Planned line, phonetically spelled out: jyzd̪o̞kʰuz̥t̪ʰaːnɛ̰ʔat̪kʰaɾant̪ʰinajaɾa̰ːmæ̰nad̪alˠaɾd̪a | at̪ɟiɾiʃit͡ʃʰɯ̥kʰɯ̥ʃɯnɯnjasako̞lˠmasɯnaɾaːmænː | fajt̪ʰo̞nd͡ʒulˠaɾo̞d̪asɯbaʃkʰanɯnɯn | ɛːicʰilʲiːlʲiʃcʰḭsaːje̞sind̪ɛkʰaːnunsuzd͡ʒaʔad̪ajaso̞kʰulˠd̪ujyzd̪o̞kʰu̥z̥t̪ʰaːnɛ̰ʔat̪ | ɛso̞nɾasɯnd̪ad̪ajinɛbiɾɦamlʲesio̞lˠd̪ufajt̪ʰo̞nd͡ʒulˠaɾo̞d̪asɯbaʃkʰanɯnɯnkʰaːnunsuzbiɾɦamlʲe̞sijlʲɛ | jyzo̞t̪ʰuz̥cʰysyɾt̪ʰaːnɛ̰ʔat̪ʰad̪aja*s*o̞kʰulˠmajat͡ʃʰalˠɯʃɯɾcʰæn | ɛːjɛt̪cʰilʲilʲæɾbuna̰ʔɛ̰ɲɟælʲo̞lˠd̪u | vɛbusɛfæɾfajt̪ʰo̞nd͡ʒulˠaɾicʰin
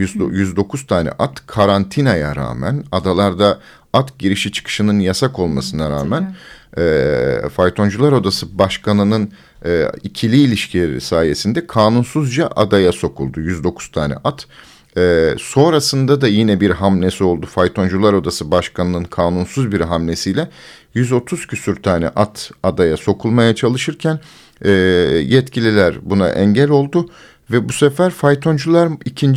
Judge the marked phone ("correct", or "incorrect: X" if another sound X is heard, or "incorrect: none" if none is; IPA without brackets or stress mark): correct